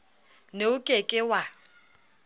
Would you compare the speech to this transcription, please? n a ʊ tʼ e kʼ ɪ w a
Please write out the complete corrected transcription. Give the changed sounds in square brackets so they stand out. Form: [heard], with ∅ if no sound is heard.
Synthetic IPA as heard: n [e] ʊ [kʼ] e kʼ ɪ w a